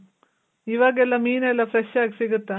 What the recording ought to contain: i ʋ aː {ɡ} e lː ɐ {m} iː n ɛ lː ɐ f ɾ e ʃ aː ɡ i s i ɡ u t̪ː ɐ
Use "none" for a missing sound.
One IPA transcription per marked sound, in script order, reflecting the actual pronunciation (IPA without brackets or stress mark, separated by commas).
ɡ, m